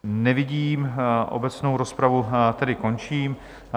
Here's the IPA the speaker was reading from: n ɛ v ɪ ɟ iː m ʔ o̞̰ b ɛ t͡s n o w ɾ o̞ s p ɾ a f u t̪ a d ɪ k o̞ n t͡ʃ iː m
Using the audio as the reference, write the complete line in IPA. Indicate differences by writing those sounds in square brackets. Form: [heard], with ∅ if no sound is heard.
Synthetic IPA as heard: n ɛ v ɪ ɟ iː m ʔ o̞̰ b ɛ t͡s n o w ɾ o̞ s p ɾ a [v] u t̪ [ɛ] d ɪ k o̞ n t͡ʃ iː m